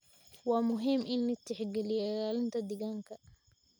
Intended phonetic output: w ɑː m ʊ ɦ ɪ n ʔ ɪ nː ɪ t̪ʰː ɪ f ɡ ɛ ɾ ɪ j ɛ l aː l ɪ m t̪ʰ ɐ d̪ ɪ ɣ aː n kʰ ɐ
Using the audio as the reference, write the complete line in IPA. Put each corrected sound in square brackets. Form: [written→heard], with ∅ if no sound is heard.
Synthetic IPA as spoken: w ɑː m ʊ ɦ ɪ [n→m] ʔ ɪ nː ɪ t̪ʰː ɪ [f→ħ] ɡ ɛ [ɾ→l] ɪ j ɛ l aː l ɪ [m→n] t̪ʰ ɐ d̪ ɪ ɣ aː [n→ŋ] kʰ ɐ